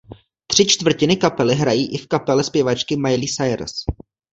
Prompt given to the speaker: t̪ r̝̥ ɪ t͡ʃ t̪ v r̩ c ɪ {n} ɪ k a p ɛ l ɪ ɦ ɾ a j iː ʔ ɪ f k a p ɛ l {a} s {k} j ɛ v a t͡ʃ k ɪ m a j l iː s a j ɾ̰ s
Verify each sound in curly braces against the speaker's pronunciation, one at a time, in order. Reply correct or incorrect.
correct, incorrect: ɛ, incorrect: p

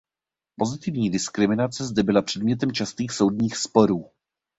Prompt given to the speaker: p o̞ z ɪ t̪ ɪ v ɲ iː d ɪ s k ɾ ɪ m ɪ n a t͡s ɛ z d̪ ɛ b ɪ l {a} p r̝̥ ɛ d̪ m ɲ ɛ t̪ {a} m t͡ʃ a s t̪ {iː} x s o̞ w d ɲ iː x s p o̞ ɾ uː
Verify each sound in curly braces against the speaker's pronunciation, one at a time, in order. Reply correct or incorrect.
correct, incorrect: ɛ, correct

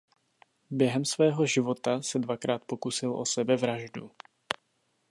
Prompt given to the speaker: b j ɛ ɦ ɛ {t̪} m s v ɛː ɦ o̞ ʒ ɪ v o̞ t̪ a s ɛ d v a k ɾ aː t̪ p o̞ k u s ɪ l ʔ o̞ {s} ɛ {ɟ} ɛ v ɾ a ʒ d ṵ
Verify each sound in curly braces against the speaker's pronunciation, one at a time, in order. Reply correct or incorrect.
incorrect: none, correct, incorrect: b

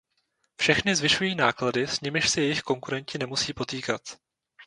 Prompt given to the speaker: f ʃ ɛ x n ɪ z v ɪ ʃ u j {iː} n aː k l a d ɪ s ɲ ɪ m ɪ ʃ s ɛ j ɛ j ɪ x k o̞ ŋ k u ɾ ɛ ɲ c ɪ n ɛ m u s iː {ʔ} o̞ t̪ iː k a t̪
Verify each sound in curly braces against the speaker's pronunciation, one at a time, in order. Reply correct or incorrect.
correct, incorrect: p

